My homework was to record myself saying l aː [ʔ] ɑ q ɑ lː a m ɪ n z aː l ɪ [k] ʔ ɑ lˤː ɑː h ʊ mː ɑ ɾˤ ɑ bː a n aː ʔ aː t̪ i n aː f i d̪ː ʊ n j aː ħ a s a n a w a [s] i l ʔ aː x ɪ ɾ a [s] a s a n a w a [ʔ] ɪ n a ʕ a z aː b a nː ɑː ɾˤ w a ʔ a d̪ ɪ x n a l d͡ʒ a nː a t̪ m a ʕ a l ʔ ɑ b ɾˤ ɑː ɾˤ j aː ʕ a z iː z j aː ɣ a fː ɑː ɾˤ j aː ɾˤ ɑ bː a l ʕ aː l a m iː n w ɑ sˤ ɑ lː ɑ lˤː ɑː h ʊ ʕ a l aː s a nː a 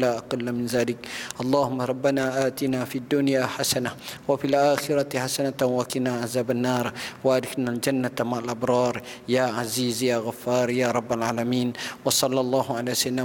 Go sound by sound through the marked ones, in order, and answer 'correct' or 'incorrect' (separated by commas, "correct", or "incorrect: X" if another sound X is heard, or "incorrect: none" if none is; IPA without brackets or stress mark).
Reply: correct, correct, incorrect: f, incorrect: ħ, incorrect: k